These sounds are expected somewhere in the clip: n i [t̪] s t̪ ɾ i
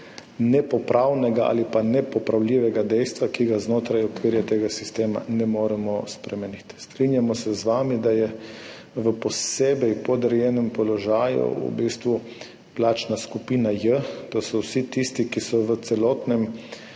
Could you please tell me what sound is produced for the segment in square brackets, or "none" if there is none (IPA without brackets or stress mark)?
t̪